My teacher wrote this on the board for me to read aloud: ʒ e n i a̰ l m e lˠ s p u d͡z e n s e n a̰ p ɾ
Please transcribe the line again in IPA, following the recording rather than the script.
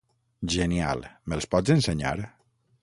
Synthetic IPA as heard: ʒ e n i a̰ l m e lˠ s p ɔ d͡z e n s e ɲ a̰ ɾ